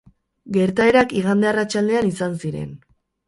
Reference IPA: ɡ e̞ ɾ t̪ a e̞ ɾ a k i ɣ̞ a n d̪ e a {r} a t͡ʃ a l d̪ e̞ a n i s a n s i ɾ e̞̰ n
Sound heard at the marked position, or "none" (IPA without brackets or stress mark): r